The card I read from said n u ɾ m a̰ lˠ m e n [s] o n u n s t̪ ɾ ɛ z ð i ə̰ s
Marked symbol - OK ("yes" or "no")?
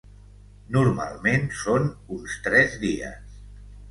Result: yes